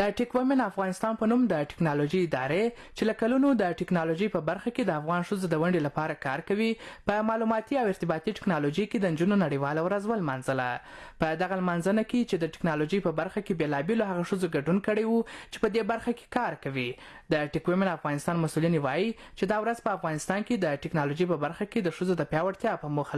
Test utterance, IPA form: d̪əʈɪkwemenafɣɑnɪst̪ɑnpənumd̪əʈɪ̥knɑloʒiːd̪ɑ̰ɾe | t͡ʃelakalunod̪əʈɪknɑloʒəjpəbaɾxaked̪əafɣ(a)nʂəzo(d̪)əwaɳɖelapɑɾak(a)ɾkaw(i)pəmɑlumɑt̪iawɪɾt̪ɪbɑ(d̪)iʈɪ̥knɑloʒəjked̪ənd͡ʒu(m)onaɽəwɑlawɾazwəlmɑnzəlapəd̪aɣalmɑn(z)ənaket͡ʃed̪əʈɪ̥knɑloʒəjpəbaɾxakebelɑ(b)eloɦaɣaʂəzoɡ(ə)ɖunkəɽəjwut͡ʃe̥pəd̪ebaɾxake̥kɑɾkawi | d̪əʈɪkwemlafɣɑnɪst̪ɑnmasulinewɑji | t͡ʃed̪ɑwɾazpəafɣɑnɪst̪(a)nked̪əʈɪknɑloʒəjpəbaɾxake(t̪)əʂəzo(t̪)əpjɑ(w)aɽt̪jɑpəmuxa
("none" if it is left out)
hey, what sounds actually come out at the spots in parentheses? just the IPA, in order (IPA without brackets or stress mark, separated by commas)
ɑ, d̪, ɑ, i, t̪, n, z, b, a, ɑ, d̪, d̪, w